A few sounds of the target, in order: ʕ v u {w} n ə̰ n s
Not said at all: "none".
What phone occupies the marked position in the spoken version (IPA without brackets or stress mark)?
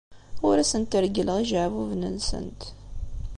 v